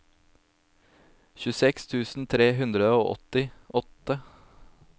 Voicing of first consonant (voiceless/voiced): voiceless